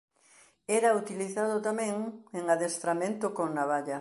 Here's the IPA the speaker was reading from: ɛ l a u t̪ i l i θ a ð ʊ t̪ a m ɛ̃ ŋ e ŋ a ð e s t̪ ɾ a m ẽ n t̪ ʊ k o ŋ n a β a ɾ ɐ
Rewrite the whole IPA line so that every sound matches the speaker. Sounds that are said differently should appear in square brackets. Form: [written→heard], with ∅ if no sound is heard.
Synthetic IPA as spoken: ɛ [l→ɾ] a u t̪ i l i θ a ð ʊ t̪ a m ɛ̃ ŋ e ŋ a ð e s t̪ ɾ a m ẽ n t̪ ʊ k o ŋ n a β a [ɾ→ʎ] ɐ